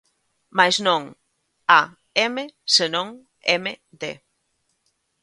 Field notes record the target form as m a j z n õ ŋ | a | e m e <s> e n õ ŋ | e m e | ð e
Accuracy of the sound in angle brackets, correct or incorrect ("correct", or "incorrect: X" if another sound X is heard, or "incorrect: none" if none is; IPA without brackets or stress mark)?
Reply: correct